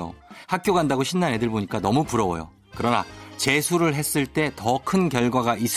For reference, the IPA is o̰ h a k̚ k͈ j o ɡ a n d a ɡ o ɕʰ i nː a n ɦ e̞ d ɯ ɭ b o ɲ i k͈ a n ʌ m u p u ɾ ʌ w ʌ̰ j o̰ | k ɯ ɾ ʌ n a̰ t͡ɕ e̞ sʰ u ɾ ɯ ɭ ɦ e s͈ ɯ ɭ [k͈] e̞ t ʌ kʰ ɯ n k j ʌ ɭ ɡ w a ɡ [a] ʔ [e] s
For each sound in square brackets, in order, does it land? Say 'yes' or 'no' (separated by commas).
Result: no, yes, no